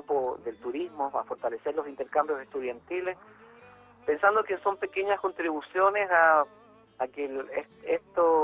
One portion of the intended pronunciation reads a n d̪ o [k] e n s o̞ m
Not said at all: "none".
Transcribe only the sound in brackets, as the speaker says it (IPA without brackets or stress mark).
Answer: k